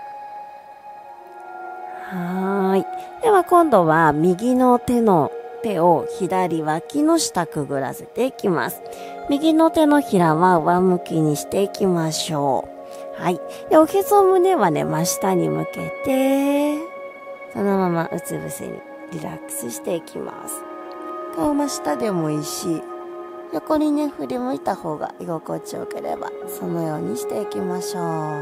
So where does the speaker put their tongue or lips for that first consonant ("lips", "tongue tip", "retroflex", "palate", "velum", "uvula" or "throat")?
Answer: throat